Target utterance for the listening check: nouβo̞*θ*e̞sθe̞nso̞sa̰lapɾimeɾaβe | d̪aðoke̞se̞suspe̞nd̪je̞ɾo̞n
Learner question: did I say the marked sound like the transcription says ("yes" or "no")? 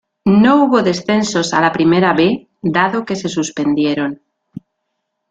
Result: no